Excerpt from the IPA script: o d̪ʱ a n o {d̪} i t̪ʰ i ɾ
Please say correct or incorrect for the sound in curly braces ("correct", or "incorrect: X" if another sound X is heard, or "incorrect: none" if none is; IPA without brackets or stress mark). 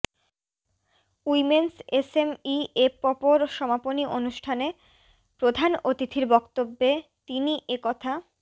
incorrect: t̪